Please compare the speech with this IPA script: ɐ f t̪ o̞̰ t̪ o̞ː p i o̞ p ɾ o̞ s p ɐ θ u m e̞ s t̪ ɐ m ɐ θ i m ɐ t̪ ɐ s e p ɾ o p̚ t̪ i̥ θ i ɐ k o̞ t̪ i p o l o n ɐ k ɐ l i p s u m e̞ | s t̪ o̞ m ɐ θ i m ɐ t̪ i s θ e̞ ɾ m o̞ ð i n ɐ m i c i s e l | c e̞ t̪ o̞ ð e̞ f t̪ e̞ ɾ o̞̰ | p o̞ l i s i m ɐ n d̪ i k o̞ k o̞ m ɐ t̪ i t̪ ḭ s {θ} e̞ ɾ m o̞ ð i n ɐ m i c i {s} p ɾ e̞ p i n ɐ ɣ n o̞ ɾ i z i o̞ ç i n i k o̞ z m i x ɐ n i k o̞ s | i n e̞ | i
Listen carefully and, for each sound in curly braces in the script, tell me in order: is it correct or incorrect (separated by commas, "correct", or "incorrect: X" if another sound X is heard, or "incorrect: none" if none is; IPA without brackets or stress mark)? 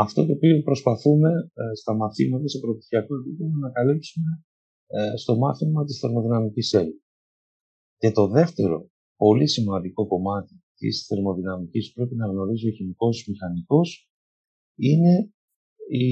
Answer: correct, correct